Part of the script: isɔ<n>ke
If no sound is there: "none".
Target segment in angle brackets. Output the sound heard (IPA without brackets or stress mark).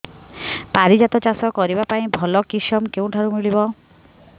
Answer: m